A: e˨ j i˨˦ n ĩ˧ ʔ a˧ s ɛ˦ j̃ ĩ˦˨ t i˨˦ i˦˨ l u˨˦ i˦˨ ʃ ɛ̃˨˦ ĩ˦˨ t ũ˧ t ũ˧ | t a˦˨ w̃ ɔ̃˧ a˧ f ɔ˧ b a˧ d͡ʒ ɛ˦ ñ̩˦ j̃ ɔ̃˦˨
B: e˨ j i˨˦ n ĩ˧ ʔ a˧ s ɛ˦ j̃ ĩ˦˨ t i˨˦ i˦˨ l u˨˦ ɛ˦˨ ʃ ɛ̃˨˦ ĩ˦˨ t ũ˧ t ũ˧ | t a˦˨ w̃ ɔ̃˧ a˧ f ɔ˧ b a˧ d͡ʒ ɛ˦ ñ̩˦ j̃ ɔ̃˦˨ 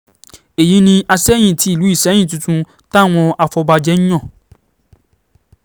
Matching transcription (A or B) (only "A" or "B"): A